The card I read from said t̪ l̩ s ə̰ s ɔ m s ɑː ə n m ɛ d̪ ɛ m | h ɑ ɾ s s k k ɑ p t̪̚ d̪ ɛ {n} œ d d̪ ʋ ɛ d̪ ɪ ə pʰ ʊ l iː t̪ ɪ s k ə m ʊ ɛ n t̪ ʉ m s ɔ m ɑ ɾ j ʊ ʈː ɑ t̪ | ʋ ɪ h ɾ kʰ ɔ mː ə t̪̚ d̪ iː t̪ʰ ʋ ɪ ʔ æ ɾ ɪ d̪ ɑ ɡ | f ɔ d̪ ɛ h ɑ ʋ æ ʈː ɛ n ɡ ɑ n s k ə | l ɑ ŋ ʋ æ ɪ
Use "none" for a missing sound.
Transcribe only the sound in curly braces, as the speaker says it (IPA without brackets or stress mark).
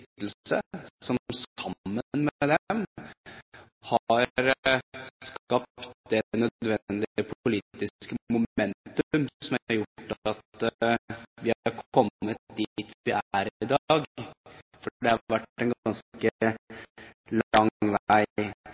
n